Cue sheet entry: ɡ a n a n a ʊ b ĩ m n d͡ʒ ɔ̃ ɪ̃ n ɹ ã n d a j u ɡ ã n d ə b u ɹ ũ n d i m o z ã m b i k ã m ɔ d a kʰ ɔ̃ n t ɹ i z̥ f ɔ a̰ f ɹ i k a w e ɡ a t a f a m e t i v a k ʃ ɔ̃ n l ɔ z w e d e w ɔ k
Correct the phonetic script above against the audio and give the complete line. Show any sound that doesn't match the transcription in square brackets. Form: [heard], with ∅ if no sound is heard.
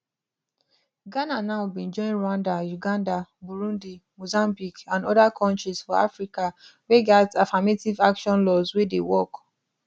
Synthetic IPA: ɡ a n a n a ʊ b ĩ [∅] n d͡ʒ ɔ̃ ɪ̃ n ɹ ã n d a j u ɡ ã n d [a] b u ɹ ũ n d i m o z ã m b i k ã [n] ɔ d a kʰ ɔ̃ n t ɹ i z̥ f ɔ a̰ f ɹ i k a w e ɡ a t a f a m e t i v a k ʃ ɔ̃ n l ɔ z w e d e w ɔ k